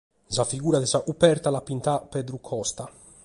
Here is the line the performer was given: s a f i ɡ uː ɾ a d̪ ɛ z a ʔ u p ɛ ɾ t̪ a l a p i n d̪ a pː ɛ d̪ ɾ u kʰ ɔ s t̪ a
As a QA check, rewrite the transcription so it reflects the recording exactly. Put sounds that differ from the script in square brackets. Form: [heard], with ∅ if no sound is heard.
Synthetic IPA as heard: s a f i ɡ uː ɾ a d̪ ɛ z a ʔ u p ɛ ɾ t̪ a l a p i n [t̪] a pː ɛ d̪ ɾ u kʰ ɔ s t̪ a